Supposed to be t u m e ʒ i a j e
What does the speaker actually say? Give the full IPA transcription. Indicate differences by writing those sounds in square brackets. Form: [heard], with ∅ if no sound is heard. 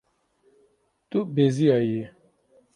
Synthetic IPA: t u [b] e [z] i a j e